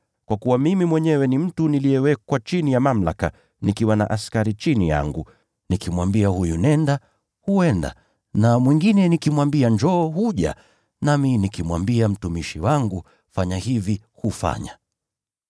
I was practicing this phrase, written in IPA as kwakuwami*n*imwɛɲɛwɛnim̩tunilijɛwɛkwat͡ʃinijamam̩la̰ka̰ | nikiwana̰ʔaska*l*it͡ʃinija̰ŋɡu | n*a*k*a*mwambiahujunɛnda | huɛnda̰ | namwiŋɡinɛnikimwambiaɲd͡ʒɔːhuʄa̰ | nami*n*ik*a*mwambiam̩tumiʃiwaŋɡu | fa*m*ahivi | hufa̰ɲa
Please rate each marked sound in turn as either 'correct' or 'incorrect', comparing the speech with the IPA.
incorrect, incorrect, incorrect, incorrect, correct, incorrect, incorrect

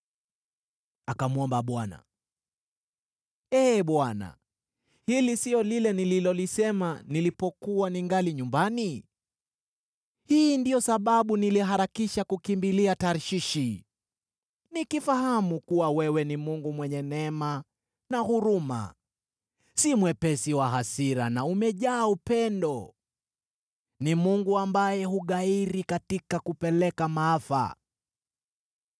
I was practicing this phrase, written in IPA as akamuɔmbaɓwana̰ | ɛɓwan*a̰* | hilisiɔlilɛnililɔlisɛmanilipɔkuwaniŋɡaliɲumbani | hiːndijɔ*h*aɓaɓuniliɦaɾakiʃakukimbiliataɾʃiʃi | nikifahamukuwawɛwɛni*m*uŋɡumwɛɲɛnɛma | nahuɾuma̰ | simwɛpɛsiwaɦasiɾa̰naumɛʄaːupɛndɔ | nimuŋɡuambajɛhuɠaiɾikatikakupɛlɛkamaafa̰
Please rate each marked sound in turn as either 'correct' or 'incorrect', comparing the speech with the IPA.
correct, incorrect, correct

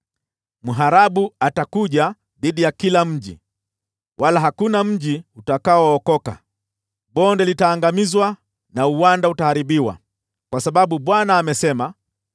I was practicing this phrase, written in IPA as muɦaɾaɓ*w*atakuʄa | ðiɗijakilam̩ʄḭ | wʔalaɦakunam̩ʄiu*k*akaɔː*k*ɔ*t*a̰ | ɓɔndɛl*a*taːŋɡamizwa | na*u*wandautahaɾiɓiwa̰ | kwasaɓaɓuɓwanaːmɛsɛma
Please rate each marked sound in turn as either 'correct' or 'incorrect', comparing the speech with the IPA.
incorrect, incorrect, correct, incorrect, incorrect, correct

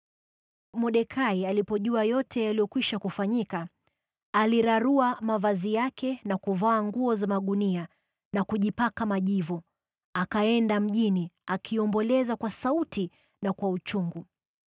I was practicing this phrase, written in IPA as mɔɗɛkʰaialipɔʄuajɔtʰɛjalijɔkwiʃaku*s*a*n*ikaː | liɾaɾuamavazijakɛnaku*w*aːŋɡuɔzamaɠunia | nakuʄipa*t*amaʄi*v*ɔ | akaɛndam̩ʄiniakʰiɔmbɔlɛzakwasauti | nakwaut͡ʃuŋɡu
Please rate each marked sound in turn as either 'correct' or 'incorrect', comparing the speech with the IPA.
incorrect, incorrect, incorrect, incorrect, correct

